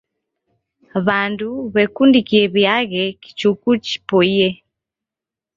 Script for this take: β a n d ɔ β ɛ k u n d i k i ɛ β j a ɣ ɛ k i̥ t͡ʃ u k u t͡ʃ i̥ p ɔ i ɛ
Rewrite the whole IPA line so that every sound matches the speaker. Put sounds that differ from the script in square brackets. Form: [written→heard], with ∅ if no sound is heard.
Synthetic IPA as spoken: β a n d [ɔ→u] β ɛ k u n d i k i ɛ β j a ɣ ɛ k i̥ t͡ʃ u k u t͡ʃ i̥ p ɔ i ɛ